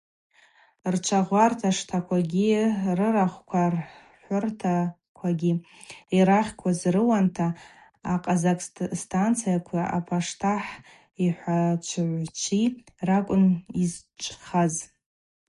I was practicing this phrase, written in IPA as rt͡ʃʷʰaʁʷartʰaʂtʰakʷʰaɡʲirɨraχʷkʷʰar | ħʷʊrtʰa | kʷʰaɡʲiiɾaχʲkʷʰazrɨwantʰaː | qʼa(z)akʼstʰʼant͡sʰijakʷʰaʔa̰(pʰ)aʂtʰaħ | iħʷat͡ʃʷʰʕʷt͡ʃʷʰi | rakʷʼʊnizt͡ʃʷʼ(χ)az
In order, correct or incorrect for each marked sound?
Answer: correct, correct, correct

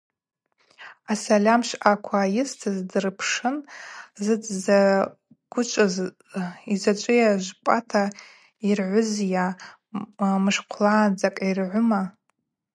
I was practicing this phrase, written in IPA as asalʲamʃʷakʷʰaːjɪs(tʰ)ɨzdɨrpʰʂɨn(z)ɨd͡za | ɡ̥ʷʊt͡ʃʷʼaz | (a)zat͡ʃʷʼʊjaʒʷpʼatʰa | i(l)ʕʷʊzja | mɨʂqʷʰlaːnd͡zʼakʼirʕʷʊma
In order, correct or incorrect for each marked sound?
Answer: correct, correct, incorrect, incorrect

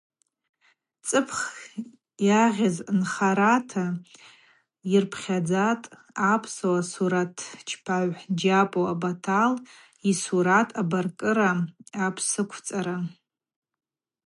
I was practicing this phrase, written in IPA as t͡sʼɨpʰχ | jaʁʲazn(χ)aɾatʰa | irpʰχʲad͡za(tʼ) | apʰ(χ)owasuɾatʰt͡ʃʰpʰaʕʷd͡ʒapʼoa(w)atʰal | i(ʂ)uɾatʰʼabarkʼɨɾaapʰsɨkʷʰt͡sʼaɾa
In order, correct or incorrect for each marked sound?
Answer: correct, correct, incorrect, incorrect, incorrect

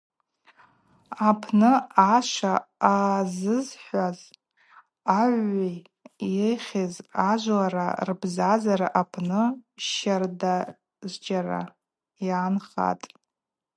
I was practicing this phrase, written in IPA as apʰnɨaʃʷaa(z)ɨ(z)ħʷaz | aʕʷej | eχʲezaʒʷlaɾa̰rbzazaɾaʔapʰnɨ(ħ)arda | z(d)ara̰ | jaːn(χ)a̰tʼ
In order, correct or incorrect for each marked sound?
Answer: correct, correct, incorrect, incorrect, correct

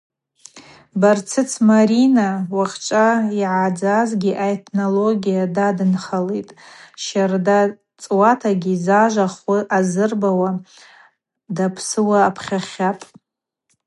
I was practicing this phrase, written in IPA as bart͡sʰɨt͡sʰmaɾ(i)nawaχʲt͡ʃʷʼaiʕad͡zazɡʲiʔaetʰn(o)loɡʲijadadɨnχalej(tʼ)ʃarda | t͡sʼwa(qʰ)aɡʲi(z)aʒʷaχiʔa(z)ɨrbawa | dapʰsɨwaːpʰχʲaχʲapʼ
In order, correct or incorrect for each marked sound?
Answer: correct, correct, correct, incorrect, correct, correct

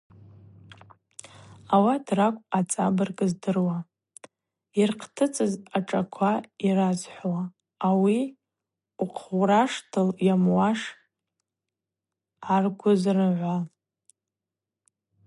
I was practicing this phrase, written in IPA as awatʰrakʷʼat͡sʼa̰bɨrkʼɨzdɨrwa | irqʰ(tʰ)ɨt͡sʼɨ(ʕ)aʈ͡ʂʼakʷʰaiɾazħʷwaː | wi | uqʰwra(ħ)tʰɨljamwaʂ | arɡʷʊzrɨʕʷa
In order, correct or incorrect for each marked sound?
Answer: correct, incorrect, incorrect

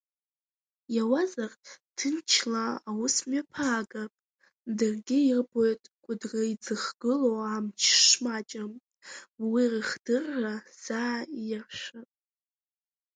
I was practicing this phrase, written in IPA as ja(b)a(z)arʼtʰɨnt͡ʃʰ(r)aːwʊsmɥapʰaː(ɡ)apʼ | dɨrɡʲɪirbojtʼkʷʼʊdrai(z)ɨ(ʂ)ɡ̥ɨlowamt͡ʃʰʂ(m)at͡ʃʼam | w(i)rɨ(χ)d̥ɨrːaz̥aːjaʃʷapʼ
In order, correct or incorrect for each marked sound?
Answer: incorrect, correct, incorrect, correct, incorrect, incorrect, correct, correct, correct

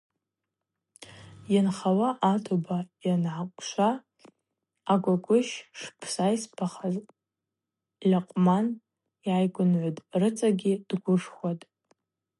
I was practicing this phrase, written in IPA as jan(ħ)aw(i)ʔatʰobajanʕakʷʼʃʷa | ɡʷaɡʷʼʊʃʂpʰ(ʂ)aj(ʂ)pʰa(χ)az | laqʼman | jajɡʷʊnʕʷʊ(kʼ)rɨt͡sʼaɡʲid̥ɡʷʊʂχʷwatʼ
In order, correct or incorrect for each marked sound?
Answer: incorrect, incorrect, incorrect, incorrect, correct, incorrect

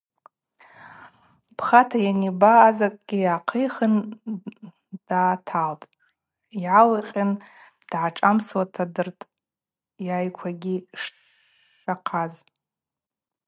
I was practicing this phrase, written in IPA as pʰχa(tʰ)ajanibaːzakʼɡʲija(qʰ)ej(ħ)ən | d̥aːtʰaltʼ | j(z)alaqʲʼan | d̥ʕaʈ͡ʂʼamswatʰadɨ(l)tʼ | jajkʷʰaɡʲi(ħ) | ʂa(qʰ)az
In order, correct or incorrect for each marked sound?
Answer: correct, correct, incorrect, incorrect, incorrect, incorrect, correct

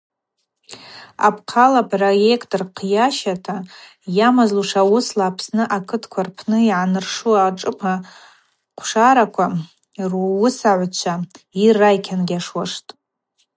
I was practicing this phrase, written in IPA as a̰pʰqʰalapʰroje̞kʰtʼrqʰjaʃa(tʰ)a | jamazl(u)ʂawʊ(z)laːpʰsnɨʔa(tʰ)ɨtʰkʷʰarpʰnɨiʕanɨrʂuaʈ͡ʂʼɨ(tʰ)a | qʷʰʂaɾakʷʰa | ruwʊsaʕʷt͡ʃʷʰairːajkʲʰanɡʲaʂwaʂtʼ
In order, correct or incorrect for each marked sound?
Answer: correct, correct, incorrect, incorrect, incorrect

